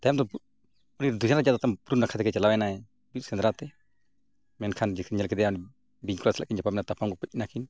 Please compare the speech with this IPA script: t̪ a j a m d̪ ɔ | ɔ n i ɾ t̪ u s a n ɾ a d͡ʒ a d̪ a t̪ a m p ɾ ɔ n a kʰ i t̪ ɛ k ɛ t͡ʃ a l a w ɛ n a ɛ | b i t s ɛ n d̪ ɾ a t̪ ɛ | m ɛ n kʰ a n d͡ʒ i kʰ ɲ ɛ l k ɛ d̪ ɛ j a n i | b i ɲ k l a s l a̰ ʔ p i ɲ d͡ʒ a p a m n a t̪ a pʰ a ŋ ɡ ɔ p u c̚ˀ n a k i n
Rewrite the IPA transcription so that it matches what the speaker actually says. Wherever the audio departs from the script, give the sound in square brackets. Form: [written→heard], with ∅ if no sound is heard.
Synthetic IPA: t̪ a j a m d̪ ɔ | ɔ n i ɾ [t̪→d̪] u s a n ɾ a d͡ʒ a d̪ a t̪ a m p ɾ [ɔ→u] n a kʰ [i→a] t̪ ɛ k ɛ t͡ʃ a l a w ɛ n a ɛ | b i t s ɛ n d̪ ɾ a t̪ ɛ | m ɛ n kʰ a n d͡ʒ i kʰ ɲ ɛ l k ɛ d̪ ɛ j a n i | b i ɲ k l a s l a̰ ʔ [p→k] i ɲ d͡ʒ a p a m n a t̪ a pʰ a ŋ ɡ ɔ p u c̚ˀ n a k i n

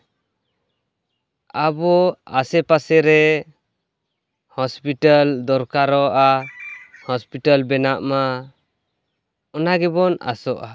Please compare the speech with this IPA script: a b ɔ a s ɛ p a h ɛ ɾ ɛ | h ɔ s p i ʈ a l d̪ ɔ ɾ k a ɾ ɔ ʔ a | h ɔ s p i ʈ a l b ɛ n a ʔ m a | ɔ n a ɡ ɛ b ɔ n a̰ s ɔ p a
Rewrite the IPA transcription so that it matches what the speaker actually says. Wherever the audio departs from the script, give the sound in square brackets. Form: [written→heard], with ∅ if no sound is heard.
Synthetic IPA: a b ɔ a s ɛ p a [h→s] ɛ ɾ ɛ | h ɔ s p i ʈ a l d̪ ɔ ɾ k a ɾ ɔ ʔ a | h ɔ s p i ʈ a l b ɛ n a ʔ m a | ɔ n a ɡ ɛ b ɔ n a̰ s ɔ [p→ʔ] a

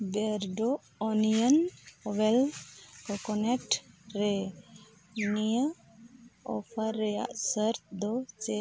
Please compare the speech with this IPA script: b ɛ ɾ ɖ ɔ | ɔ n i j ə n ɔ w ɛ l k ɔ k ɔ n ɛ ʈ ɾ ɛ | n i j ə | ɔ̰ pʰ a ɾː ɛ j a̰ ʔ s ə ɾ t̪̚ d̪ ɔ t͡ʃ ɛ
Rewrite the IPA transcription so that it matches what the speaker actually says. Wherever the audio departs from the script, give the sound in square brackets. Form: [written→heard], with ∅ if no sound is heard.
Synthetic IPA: b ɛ ɾ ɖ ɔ | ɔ n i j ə n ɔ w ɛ l k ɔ k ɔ n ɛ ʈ ɾ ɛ | n i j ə | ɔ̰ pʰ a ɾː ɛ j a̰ ʔ s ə ɾ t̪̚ d̪ ɔ t͡ʃ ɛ

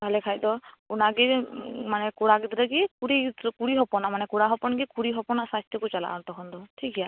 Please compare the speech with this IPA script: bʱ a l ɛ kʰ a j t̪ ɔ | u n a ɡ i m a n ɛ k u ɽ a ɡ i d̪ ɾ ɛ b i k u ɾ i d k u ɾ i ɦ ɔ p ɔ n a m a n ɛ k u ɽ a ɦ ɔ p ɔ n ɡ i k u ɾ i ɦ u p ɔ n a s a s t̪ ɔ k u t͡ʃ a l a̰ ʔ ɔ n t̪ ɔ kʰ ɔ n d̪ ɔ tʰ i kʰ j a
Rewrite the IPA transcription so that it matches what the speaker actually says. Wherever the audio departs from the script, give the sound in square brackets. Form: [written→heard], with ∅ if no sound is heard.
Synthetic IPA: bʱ a l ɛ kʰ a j [t̪→d̪] ɔ | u n a ɡ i m a n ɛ k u ɽ a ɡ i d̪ ɾ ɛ [b→ɡ] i k u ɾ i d k u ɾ i ɦ ɔ p ɔ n a m a n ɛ k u ɽ a ɦ ɔ p ɔ n ɡ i k u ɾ i ɦ [u→ɔ] p ɔ n a s a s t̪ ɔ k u t͡ʃ a l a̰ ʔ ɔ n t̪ ɔ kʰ ɔ n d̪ ɔ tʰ i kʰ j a

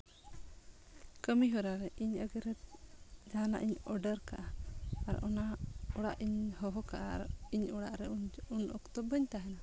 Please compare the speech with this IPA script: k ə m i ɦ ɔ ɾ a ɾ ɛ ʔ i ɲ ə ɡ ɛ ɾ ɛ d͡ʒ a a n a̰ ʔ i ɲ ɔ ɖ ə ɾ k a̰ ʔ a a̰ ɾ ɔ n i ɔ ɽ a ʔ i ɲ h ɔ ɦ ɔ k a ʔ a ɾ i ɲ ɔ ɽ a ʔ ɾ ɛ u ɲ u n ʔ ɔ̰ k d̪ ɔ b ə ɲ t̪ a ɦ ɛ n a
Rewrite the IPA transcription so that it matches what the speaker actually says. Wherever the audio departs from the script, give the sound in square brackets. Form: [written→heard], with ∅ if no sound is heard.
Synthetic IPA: k ə m i ɦ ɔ ɾ a ɾ ɛ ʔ i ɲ ə ɡ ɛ ɾ ɛ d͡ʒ a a n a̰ ʔ i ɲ ɔ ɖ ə ɾ k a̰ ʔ a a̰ ɾ ɔ n [i→a] ɔ ɽ a ʔ i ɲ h ɔ ɦ ɔ k a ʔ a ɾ i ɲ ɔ ɽ a ʔ ɾ ɛ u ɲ u n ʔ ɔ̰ k [d̪→t̪] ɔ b ə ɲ t̪ a ɦ ɛ n a

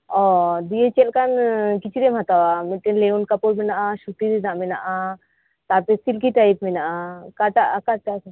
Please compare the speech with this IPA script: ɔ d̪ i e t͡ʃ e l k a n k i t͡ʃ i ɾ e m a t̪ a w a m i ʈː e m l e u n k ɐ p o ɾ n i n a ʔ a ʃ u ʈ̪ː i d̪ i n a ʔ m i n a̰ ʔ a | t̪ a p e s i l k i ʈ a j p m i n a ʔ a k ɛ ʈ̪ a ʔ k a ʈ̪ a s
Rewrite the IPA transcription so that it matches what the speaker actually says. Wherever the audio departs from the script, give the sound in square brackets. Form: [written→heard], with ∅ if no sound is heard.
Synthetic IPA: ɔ d̪ i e t͡ʃ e l k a n k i t͡ʃ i ɾ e m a t̪ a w a m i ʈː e [m→n] l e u n k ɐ p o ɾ [n→m] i n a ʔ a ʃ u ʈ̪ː i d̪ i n a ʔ m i n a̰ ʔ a | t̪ a p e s i l k i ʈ a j p m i n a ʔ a k [ɛ→a] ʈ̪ a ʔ k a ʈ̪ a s

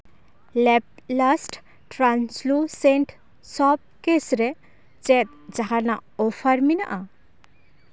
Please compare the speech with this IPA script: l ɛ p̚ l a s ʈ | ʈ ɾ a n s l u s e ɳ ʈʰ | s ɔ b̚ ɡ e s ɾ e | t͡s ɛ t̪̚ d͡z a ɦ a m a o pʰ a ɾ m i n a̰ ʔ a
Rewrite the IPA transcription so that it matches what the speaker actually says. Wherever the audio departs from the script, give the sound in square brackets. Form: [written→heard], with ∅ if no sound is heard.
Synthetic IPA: l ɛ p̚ l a s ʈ | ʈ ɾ a n s l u s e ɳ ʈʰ | s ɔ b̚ [ɡ→k] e s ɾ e | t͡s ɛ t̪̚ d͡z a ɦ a [m→n] a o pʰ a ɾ m i n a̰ ʔ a

